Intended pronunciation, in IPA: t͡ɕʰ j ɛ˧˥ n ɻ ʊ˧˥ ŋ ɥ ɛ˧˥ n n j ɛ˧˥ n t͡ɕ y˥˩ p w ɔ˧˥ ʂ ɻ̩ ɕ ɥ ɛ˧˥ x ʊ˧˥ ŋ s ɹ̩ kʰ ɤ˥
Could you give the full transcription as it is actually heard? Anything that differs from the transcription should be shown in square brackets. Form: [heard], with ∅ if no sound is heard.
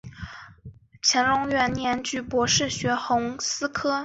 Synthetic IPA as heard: t͡ɕʰ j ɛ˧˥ n ɻ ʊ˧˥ ŋ ɥ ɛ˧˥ n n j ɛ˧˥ n t͡ɕ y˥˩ p w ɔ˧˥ ʂ ɻ̩ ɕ ɥ ɛ˧˥ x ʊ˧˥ ŋ s ɹ̩ kʰ ɤ˥